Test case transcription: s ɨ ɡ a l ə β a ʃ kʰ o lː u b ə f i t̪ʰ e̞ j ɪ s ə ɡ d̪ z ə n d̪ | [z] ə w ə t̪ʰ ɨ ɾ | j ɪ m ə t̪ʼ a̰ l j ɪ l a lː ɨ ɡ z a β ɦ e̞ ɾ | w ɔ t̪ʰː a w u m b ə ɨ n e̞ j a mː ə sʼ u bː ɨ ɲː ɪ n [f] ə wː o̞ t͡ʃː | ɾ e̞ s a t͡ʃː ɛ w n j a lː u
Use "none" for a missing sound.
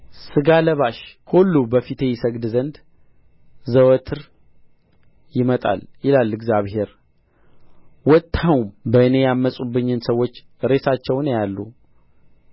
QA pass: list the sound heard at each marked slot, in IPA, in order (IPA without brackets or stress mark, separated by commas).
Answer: z, s